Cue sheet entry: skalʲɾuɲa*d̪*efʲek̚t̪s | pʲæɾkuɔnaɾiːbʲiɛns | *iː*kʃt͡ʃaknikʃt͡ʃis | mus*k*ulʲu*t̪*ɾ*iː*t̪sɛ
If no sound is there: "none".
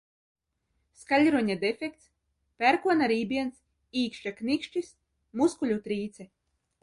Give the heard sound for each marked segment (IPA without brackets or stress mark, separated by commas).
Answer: d̪, iː, k, t̪, iː